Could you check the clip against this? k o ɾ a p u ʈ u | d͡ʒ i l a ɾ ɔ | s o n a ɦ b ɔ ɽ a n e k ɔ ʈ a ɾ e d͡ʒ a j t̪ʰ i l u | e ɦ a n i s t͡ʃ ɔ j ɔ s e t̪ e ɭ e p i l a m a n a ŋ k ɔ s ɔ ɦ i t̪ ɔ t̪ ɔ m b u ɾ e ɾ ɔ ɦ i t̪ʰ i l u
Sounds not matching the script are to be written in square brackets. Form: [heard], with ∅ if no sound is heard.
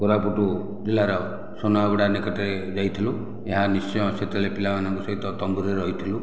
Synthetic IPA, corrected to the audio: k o ɾ a p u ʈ u | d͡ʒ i l a ɾ ɔ | s o n a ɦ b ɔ ɽ a n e k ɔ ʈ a ɾ e d͡ʒ a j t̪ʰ i l u | e ɦ a n i s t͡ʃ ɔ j ɔ s e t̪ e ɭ e p i l a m a n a ŋ k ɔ s ɔ ɦ i t̪ ɔ t̪ ɔ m b u ɾ e ɾ ɔ ɦ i t̪ʰ i l u